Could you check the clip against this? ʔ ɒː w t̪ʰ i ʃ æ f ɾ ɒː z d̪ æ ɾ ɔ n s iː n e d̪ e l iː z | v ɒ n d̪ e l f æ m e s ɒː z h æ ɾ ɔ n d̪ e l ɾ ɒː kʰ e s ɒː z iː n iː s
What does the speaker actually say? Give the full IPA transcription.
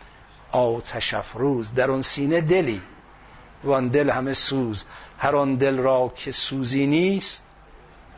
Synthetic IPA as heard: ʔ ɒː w t̪ʰ æ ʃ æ f ɾ uː z d̪ æ ɾ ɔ n s iː n e d̪ e l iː | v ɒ n d̪ e l h æ m e s uː z h æ ɾ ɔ n d̪ e l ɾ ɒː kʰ e s uː z iː n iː s